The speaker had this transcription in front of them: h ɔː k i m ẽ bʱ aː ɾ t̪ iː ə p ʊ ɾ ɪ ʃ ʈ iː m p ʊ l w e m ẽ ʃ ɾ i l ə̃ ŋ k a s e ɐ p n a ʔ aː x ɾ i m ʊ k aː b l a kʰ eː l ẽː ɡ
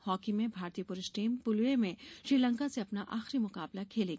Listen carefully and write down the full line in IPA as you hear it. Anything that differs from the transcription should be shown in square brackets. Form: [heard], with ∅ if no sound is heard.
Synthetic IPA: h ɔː k i m ẽ bʱ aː ɾ t̪ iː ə p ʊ ɾ ɪ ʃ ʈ iː m p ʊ l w e m ẽ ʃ ɾ [iː] l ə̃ ŋ k a s e ɐ p n a ʔ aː x ɾ i m ʊ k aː b l a kʰ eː l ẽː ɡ